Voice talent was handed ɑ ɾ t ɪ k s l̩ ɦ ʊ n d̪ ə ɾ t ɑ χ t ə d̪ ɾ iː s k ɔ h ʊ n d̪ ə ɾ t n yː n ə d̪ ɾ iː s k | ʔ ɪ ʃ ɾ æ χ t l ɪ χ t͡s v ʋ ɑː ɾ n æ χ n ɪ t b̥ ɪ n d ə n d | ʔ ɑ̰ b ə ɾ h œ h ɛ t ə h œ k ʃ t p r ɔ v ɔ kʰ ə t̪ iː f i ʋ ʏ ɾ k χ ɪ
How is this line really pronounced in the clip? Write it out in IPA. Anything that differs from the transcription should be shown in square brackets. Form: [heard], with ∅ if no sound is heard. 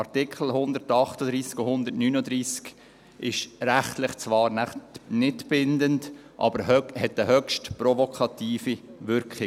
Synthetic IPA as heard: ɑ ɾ t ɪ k [χ] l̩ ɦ ʊ n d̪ ə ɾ t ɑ χ t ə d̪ ɾ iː s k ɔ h ʊ n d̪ ə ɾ t n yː n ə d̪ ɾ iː s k | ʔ ɪ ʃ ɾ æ χ t l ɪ χ t͡s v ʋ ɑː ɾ n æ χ n ɪ t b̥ ɪ n d ə n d | ʔ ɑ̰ b ə ɾ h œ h ɛ t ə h œ k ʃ t p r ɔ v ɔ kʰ [ɑ] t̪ iː f i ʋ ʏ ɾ k χ ɪ

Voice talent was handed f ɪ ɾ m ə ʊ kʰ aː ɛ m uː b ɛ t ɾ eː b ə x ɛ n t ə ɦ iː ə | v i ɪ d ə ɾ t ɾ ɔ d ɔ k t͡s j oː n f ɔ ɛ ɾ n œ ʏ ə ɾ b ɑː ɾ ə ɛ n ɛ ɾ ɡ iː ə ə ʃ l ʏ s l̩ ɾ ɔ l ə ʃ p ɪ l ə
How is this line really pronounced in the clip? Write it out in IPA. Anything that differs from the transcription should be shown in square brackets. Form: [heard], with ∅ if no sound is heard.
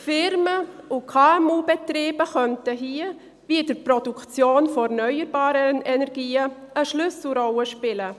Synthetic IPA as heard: f ɪ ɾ m ə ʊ kʰ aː ɛ m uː b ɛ t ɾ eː b ə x [œ] n t ə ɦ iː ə | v i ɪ d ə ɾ [p] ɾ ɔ d [u] k t͡s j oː n f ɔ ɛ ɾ n œ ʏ ə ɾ b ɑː ɾ ə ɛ n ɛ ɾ ɡ iː ə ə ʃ l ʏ s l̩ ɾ ɔ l ə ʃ p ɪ l ə

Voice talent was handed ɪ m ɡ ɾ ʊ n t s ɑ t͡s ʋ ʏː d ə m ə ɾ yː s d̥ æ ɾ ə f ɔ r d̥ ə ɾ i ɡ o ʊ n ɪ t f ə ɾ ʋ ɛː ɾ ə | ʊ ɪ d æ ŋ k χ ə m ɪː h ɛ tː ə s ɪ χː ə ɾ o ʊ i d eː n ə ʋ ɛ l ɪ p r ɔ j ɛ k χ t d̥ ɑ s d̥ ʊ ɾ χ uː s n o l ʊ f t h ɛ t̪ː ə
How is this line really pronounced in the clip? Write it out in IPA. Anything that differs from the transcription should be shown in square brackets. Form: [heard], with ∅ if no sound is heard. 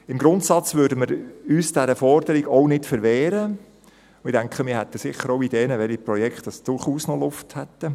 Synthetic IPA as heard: ɪ m ɡ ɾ ʊ n t s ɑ t͡s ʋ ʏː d ə m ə ɾ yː s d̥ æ ɾ ə f ɔ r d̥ ə ɾ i ɡ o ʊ n ɪ t f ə ɾ ʋ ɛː ɾ ə | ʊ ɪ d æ ŋ k χ ə m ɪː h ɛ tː ə s ɪ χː ə ɾ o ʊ i d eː n ə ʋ ɛ l [i] p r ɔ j ɛ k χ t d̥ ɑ s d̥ ʊ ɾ χ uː s n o l ʊ f t h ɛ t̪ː ə

